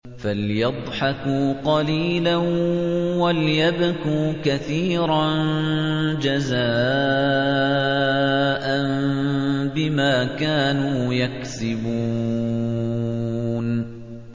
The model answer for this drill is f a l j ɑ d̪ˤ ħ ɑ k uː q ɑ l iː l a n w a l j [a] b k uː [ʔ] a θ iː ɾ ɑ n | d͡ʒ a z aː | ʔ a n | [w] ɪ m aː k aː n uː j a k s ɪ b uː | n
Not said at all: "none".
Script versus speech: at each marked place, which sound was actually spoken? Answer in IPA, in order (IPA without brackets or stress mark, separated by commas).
a, k, b